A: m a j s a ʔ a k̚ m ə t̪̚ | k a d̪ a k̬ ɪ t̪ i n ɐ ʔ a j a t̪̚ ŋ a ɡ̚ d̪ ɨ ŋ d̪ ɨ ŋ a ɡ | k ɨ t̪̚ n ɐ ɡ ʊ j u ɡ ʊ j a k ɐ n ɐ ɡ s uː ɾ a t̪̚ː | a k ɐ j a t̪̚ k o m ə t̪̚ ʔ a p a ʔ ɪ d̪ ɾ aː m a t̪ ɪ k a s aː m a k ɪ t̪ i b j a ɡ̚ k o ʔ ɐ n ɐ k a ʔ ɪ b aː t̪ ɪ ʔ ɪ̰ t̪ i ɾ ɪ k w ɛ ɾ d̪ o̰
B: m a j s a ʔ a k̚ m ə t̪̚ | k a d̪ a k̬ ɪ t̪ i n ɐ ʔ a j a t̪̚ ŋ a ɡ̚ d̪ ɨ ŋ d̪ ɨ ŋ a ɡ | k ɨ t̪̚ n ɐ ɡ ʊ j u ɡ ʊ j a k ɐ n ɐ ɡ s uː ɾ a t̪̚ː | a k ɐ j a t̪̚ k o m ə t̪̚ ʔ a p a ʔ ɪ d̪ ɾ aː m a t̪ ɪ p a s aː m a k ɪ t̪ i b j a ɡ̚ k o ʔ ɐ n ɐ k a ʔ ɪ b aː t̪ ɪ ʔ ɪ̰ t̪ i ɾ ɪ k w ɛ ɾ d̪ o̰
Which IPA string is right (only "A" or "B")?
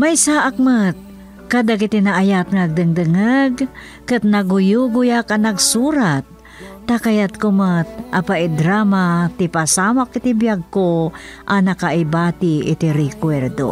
B